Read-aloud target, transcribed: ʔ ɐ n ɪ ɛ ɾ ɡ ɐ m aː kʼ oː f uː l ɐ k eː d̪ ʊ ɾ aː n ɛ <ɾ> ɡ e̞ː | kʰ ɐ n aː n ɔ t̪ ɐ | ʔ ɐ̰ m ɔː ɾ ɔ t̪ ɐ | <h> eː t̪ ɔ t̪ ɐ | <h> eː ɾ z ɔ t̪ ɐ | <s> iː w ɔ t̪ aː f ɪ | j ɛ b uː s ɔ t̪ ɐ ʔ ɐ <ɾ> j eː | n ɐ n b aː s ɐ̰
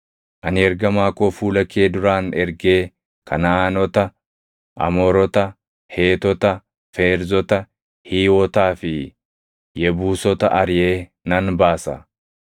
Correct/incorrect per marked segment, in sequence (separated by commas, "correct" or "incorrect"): correct, correct, incorrect, incorrect, correct